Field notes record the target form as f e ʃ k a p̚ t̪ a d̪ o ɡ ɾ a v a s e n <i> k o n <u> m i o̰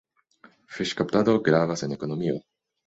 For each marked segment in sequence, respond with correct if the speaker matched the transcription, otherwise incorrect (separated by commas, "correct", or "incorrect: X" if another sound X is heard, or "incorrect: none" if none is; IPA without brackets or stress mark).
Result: incorrect: e, incorrect: o